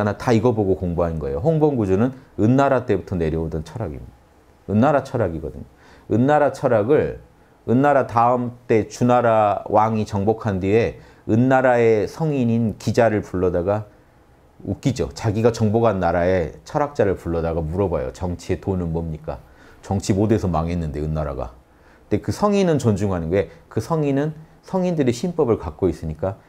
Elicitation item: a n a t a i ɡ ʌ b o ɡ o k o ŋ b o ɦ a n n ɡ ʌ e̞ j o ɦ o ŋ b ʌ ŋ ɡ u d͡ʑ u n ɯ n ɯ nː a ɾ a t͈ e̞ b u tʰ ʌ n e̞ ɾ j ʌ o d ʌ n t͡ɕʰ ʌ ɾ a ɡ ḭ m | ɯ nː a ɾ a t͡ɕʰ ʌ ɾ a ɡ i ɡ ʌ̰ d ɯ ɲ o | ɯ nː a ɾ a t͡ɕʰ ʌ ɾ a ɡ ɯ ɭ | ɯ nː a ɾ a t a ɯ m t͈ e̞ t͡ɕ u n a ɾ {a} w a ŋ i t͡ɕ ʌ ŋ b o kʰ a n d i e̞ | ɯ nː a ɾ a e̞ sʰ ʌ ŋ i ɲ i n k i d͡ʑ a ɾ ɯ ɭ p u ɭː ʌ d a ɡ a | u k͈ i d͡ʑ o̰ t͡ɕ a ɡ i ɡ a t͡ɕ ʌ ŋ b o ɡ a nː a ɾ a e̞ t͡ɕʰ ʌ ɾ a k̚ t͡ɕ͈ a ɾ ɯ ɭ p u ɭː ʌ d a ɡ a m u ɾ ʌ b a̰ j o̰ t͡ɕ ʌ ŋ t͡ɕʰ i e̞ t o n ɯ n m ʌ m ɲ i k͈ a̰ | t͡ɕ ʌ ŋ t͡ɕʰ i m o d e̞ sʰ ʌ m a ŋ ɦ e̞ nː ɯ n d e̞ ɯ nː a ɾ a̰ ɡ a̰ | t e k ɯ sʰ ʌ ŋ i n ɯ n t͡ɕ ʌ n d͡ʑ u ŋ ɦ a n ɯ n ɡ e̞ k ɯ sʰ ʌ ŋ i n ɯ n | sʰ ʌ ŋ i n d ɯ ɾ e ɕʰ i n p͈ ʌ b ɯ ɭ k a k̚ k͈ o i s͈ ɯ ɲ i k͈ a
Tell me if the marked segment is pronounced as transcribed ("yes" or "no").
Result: yes